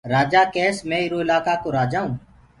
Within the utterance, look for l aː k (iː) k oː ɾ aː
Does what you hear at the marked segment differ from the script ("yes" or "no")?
yes